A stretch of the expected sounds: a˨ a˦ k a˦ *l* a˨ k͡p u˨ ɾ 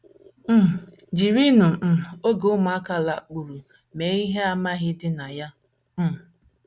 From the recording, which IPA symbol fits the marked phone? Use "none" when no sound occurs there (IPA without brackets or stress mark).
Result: l